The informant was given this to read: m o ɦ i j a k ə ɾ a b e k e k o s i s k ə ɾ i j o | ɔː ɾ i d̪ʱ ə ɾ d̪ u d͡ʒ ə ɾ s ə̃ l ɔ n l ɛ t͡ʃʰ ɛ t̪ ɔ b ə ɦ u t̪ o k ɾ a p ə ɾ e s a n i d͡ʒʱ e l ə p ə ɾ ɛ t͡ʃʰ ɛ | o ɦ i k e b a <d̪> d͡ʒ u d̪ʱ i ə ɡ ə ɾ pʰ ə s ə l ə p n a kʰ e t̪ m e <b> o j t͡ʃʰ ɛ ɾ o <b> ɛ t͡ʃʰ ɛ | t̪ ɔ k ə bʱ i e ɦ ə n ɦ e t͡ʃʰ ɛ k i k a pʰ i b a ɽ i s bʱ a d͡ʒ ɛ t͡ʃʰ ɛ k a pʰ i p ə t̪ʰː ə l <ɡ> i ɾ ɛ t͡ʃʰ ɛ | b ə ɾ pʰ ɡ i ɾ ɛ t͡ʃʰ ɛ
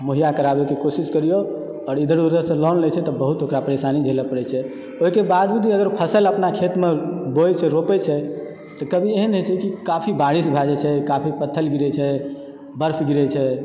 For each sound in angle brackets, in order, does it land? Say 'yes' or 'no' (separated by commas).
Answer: yes, yes, no, yes